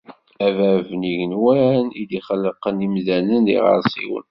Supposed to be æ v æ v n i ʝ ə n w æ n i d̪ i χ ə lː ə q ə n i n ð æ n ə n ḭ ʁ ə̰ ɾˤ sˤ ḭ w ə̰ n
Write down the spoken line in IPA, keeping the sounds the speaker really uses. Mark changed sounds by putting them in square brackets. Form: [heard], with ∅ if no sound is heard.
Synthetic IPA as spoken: æ v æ v n i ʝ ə n w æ n i d̪ i χ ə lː ə q ə n i [m] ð æ n ə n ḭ ʁ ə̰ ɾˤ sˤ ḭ w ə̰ n